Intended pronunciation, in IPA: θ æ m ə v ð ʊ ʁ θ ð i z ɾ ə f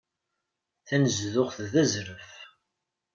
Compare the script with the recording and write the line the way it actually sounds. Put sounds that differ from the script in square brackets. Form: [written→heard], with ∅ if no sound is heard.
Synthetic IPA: θ æ [m→n] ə [v→z] ð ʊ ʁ θ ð [i→æ] z ɾ ə f